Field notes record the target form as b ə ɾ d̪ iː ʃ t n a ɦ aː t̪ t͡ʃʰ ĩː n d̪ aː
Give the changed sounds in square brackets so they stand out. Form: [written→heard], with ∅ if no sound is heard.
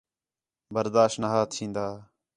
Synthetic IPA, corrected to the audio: b ə ɾ d̪ [iː→aː] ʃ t n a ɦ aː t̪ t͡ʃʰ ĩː n d̪ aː